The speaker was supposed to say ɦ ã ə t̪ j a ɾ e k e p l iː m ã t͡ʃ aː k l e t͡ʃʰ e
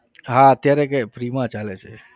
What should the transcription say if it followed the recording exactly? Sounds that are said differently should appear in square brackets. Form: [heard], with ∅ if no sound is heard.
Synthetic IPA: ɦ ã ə t̪ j a ɾ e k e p [ɾ] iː m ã t͡ʃ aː [∅] l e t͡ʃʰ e